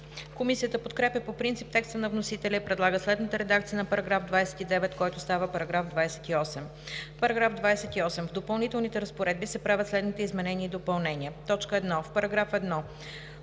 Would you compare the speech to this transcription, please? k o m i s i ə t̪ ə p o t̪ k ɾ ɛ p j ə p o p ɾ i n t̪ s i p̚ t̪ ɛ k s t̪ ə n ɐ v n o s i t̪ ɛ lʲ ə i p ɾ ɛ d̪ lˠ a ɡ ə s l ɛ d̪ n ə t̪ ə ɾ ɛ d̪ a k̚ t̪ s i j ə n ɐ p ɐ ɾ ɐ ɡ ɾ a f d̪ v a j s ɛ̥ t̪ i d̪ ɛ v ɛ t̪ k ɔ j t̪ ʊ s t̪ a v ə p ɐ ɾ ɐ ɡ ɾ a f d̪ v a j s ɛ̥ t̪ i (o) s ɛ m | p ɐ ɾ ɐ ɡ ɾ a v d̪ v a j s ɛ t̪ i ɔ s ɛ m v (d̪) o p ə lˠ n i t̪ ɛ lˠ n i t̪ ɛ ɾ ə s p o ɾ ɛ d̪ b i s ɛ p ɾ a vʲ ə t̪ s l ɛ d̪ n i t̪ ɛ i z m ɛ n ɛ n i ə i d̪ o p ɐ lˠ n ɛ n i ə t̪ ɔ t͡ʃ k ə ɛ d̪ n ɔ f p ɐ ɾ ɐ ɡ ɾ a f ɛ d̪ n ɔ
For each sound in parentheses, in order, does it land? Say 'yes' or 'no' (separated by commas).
no, yes